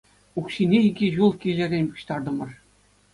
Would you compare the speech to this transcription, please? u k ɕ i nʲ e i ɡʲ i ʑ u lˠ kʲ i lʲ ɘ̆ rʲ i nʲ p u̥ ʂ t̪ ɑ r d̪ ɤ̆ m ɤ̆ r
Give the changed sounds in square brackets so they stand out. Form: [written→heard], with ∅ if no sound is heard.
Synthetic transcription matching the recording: u k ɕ i nʲ e i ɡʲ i ʑ u lˠ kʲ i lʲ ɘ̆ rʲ [i→e] nʲ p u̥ [ʂ→ɕ] t̪ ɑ r d̪ ɤ̆ m ɤ̆ r